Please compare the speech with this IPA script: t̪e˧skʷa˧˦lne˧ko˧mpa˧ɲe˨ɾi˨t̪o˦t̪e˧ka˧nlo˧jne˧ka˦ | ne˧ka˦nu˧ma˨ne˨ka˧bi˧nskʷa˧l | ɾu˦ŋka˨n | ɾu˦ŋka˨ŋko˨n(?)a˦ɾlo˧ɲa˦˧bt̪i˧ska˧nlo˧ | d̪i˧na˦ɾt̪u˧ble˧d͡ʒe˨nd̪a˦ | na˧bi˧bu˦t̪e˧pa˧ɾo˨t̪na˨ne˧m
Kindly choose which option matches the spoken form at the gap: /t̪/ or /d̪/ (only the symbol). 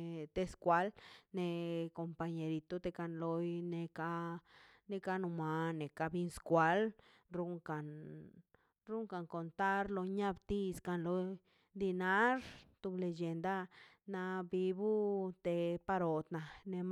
t̪